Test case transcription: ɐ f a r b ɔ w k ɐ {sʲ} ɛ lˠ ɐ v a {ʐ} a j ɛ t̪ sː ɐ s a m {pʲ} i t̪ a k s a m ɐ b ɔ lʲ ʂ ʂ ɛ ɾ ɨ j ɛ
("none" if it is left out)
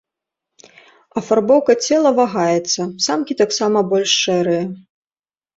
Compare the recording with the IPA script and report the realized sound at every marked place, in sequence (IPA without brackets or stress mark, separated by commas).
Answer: t͡sʲ, ɣ, kʲ